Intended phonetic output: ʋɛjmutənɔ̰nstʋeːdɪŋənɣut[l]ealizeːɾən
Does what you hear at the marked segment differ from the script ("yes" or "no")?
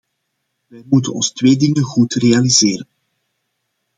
yes